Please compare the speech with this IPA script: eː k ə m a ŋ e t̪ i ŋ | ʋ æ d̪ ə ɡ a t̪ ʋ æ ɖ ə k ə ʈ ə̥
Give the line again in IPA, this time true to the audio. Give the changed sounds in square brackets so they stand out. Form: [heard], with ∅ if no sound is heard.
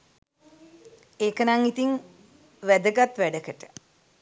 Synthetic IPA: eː k ə [n] a ŋ [i] t̪ i ŋ | ʋ æ d̪ ə ɡ a t̪ ʋ æ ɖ ə k ə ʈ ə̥